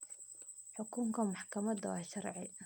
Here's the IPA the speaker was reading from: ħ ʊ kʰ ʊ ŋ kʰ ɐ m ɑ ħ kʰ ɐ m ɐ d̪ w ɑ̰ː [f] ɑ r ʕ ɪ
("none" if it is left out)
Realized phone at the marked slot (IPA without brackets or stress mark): ʃ